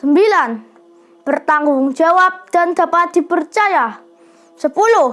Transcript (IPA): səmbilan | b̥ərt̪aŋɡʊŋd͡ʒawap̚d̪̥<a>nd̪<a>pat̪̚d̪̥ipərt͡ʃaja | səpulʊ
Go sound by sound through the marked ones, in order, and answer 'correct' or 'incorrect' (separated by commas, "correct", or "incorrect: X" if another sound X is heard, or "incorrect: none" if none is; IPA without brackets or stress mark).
correct, correct